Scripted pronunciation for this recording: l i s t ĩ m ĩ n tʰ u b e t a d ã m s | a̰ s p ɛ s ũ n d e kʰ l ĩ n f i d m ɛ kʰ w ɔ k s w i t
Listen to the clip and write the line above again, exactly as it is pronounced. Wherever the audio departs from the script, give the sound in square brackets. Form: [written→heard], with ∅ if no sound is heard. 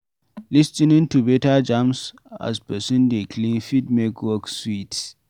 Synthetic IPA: l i s t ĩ [m→n] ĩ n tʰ u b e t a [d→d͡ʒ] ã m s | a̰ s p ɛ s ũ n d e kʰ l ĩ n f i d m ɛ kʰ w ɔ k s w i t